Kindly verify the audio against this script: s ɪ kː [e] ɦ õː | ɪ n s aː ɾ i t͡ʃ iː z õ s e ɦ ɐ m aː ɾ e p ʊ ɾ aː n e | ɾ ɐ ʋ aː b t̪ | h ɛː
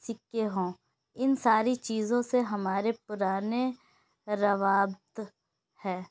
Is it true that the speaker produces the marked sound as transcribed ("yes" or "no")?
yes